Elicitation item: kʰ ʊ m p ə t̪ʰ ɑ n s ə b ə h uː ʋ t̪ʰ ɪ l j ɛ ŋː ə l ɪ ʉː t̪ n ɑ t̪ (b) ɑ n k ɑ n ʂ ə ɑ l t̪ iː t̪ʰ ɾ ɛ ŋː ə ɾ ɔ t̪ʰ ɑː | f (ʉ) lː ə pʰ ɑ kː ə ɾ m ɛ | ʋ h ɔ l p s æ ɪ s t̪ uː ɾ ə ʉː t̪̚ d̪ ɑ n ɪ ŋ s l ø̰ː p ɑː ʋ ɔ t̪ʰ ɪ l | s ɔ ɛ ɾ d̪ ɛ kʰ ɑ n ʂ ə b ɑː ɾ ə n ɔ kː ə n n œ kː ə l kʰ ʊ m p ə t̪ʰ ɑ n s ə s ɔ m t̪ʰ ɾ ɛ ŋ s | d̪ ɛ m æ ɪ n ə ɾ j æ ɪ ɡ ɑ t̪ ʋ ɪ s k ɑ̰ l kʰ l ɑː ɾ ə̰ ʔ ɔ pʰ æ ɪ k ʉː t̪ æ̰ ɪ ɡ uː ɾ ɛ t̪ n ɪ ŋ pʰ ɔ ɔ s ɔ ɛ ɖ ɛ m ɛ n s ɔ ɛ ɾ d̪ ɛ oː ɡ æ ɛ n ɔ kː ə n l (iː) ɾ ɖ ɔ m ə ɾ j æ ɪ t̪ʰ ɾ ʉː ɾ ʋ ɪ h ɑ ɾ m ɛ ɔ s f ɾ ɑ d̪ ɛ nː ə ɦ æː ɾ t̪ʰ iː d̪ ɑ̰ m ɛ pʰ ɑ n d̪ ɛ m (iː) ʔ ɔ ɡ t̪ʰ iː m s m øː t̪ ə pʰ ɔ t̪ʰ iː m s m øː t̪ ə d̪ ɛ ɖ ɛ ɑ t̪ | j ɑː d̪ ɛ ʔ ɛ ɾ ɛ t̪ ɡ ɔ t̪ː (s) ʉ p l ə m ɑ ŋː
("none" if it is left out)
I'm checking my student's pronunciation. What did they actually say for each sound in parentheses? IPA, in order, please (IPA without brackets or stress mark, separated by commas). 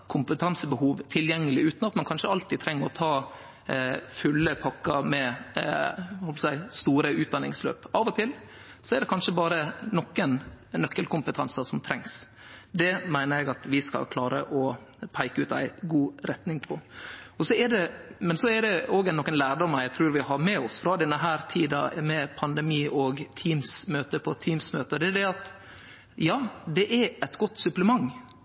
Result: m, ʉ, æː, iː, s